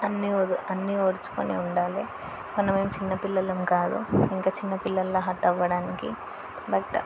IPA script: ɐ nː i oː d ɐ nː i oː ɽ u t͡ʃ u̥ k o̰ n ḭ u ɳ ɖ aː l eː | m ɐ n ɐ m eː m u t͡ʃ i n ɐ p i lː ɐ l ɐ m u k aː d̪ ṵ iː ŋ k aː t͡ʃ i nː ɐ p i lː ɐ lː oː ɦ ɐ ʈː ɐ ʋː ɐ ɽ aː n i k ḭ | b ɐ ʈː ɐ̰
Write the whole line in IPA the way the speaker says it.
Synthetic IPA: ɐ nː i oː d ɐ nː i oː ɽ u t͡ʃ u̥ k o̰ n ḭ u ɳ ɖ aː l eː | m ɐ n ɐ m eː m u t͡ʃ i nː ɐ p i lː ɐ l ɐ m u k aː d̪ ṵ i ŋ k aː t͡ʃ i nː ɐ p i lː ɐ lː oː ɦ ɐ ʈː ɐ ʋː ɐ ɽ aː n i k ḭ | b ɐ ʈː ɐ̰